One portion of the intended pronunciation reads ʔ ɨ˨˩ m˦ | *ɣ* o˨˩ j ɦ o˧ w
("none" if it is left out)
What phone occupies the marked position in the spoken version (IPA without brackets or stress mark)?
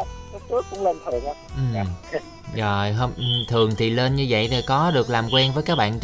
z